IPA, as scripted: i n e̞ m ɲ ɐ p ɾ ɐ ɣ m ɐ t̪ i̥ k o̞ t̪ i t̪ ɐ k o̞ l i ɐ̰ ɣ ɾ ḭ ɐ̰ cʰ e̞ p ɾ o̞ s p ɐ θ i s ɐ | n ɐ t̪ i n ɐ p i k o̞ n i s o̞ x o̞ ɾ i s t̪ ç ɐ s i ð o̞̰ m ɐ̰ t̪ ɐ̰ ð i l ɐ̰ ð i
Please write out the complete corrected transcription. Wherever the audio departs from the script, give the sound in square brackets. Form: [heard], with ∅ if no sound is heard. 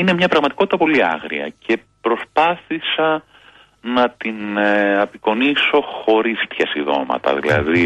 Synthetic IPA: i n e̞ m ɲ ɐ p ɾ ɐ ɣ m ɐ t̪ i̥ k o̞ t̪ i t̪ ɐ [p] o̞ l i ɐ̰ ɣ ɾ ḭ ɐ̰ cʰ e̞ p ɾ o̞ s p ɐ θ i s ɐ | n ɐ t̪ i n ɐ p i k o̞ n i s o̞ x o̞ ɾ i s t̪ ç ɐ s i ð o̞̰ m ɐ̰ t̪ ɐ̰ ð i l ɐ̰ ð i